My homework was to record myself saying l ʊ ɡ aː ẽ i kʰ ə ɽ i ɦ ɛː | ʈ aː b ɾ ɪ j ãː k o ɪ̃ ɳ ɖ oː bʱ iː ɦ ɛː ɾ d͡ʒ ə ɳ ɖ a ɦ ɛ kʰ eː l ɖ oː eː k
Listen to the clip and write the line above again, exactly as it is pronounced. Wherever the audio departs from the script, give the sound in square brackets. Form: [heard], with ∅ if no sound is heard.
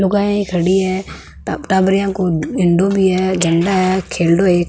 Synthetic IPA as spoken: l ʊ ɡ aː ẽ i kʰ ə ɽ i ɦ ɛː | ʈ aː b ɾ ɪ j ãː k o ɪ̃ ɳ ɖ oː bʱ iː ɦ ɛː [∅] d͡ʒ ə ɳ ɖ a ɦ ɛ kʰ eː l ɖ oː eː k